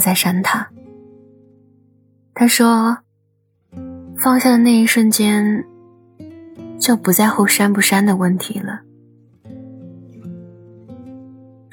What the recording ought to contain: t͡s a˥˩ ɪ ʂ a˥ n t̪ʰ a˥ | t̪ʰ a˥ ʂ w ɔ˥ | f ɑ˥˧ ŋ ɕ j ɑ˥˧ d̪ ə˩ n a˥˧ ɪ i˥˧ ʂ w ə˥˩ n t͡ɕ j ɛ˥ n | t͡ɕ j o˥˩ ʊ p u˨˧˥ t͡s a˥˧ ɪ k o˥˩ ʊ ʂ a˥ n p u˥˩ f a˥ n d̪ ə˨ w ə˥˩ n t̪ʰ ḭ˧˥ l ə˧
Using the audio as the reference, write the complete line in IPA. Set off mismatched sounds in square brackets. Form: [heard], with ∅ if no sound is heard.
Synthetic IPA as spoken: t͡s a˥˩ ɪ ʂ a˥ n t̪ʰ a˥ | t̪ʰ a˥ ʂ w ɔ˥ | f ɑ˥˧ ŋ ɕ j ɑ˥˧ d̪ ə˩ n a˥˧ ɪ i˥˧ ʂ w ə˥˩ n t͡ɕ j ɛ˥ n | t͡ɕ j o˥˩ ʊ p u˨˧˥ t͡s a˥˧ ɪ [x] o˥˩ ʊ ʂ a˥ n p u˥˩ [ʂ] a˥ n d̪ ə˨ w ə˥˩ n t̪ʰ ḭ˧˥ l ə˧